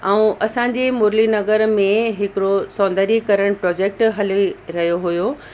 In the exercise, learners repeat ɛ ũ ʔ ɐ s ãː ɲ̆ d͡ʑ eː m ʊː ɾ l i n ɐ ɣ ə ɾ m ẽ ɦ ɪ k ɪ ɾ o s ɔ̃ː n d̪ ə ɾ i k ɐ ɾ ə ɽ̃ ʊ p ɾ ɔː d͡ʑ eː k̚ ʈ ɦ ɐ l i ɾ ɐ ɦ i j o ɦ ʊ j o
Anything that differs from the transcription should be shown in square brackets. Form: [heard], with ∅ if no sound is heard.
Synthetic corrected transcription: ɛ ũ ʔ ɐ s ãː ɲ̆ d͡ʑ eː m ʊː ɾ l i n ɐ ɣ ə ɾ m ẽ ɦ ɪ k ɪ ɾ o s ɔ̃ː n d̪ ə ɾ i k ɐ ɾ ə ɽ̃ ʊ p ɾ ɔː d͡ʑ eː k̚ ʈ ɦ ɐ l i ɾ ɐ ɦ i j o ɦ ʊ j o

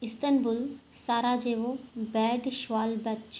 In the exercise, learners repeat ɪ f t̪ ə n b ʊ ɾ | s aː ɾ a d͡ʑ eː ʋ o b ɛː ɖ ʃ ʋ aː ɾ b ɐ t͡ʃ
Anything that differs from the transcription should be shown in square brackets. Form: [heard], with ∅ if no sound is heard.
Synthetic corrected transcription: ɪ [s] t̪ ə n b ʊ [l] | s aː ɾ a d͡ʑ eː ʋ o b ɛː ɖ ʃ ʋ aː [l] b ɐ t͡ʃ

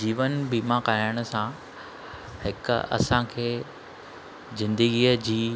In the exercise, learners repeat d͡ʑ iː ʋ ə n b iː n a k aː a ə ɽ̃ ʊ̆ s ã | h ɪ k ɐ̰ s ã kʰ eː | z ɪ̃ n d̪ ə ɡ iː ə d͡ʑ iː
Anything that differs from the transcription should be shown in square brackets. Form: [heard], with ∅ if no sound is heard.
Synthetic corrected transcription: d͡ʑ iː ʋ ə n b iː [m] a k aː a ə ɽ̃ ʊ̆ s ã | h ɪ k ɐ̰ s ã kʰ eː | z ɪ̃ n d̪ ə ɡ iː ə d͡ʑ iː

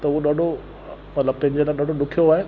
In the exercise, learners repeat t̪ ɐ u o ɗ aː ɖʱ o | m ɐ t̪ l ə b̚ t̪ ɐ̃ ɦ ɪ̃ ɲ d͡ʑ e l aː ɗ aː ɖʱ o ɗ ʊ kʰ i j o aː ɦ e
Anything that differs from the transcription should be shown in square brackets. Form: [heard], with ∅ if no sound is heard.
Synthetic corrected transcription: t̪ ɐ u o ɗ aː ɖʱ o | m ɐ t̪ l ə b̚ t̪ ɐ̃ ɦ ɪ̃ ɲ d͡ʑ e l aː ɗ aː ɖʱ o ɗ ʊ kʰ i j o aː ɦ e

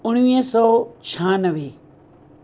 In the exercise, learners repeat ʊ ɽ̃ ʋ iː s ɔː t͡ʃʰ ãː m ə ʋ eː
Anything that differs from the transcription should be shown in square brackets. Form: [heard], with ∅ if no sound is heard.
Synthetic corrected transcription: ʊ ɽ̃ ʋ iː s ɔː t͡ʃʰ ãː [n] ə ʋ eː

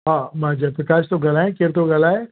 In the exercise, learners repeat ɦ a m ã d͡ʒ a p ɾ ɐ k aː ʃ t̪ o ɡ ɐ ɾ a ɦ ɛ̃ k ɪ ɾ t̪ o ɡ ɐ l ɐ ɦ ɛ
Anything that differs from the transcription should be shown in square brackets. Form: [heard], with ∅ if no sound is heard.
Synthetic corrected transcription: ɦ a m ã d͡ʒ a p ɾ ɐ k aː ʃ t̪ o ɡ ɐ [l] a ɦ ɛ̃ k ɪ ɾ t̪ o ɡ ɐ l [a] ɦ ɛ

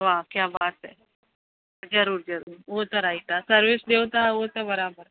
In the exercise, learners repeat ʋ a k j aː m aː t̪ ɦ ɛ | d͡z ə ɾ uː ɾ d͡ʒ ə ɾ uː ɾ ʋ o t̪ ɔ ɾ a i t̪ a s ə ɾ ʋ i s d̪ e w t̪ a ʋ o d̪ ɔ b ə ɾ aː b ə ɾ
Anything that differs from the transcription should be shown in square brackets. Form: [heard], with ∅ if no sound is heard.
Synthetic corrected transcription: ʋ a k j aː [b] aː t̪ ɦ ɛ | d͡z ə ɾ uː ɾ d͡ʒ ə ɾ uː ɾ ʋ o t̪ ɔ ɾ a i t̪ a s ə ɾ ʋ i s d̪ e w t̪ a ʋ o [t̪] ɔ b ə ɾ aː b ə ɾ

